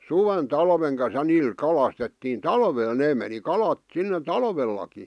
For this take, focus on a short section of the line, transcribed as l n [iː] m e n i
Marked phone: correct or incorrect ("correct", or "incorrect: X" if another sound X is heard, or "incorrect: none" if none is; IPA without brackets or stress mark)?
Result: incorrect: eː